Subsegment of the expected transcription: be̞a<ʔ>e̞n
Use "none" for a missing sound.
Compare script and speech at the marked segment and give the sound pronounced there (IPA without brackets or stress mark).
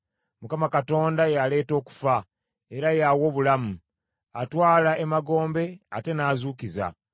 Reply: t